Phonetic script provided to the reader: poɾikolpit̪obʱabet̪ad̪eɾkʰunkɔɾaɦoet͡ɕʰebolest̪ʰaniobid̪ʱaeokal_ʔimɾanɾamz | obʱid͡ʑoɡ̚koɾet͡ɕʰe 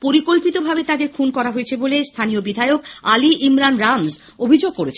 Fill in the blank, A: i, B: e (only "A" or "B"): A